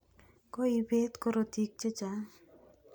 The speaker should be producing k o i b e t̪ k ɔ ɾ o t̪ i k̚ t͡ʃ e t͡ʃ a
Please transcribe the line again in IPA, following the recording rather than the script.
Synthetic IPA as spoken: k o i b e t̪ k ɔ ɾ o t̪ i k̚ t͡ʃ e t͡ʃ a